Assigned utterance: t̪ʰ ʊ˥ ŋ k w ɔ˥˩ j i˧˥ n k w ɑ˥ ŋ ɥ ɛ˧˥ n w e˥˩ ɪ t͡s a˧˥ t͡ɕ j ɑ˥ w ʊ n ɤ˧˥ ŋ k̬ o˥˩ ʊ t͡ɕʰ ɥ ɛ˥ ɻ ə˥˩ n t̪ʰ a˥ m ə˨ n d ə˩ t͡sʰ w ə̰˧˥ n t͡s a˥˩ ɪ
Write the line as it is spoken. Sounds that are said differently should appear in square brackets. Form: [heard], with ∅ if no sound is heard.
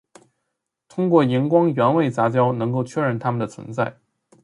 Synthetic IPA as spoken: t̪ʰ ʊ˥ ŋ k w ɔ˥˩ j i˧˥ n k w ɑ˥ ŋ ɥ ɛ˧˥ n w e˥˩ ɪ t͡s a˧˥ t͡ɕ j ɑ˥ [∅] ʊ n ɤ˧˥ ŋ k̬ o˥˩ ʊ t͡ɕʰ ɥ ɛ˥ ɻ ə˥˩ n t̪ʰ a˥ m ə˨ n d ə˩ t͡sʰ w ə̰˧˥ n t͡s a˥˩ ɪ